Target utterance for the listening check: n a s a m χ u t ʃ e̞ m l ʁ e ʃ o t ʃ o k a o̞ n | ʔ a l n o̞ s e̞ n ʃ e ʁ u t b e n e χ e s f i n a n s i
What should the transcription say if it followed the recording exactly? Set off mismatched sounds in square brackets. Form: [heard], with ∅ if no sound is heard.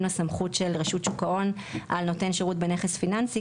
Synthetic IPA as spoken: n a s a m χ u t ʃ e̞ [∅] l ʁ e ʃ [u] t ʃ [u] k a o̞ n | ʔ a l n o̞ [t] e̞ n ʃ e ʁ u t b e n e χ e s f i n a n s i